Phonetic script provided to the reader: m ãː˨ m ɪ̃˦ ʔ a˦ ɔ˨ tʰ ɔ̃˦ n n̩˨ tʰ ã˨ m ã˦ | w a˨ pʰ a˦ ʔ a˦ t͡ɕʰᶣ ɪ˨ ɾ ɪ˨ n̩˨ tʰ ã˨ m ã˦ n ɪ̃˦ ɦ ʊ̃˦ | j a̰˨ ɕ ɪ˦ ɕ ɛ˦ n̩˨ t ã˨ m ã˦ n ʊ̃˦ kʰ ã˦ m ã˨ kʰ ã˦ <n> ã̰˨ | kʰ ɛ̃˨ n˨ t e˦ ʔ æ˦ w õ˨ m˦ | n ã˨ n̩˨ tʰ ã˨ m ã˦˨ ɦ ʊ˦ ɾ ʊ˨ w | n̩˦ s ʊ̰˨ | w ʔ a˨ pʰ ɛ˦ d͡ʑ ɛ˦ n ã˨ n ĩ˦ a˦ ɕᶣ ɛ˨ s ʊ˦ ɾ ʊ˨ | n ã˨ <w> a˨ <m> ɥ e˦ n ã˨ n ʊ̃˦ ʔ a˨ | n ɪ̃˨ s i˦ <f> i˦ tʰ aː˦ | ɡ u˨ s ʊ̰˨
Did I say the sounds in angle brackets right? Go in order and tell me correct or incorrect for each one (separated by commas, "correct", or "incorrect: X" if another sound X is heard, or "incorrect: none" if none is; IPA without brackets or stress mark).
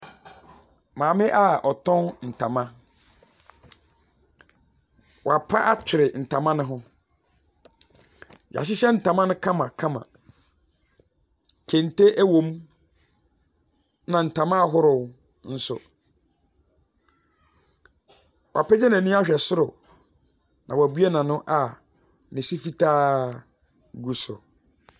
incorrect: m, correct, incorrect: b, correct